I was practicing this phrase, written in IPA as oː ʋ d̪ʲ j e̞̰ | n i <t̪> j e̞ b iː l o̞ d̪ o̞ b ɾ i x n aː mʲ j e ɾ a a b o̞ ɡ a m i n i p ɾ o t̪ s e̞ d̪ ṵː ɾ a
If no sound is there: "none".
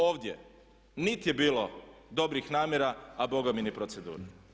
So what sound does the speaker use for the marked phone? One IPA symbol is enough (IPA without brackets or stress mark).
t̪